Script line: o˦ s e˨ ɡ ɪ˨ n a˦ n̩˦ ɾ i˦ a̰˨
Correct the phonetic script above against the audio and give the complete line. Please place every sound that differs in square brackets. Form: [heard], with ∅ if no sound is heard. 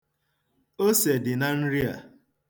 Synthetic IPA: o˦ s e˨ [d] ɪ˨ n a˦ n̩˦ ɾ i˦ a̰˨